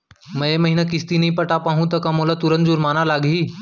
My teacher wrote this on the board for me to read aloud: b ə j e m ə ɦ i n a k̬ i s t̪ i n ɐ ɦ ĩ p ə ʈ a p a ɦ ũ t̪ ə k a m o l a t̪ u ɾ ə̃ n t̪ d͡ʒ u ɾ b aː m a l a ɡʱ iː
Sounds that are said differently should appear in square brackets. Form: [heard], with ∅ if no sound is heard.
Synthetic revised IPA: [m] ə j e m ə ɦ i n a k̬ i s t̪ i n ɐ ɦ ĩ p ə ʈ a p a ɦ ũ t̪ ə k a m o l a t̪ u ɾ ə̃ n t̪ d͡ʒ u ɾ [m] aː [n] a l a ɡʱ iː